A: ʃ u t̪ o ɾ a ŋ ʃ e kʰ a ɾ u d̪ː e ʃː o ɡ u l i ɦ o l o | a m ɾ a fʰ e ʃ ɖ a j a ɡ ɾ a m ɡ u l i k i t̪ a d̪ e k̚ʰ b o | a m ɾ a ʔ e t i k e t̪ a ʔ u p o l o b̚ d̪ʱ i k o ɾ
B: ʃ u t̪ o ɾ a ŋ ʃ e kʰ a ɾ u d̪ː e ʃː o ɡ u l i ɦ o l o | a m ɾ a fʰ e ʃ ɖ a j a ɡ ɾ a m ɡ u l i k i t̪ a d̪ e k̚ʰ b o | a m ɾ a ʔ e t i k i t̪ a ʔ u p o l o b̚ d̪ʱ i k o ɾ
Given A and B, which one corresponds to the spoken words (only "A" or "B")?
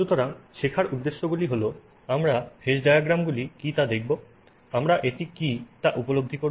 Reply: B